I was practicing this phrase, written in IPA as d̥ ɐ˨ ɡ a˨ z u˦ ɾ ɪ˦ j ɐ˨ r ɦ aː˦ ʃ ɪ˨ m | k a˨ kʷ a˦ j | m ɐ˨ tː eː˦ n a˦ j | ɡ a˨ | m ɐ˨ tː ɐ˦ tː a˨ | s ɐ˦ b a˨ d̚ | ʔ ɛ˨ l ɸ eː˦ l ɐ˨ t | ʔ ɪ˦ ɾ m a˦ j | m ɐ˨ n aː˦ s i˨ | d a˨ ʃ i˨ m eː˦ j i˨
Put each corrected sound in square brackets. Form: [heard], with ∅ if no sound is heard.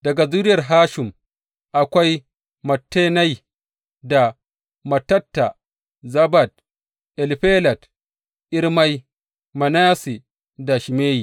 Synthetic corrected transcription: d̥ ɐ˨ ɡ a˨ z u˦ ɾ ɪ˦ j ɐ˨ r ɦ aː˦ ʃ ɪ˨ m | [ʔ] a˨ kʷ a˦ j | m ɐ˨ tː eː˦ n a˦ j | [d] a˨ | m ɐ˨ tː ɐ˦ tː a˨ | [z] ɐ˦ b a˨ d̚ | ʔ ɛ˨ l ɸ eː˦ l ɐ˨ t | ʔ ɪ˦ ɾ m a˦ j | m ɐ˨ n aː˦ s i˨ | d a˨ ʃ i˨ m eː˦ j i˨